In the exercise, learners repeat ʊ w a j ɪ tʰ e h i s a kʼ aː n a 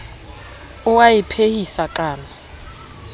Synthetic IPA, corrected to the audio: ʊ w a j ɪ pʰ e h i s a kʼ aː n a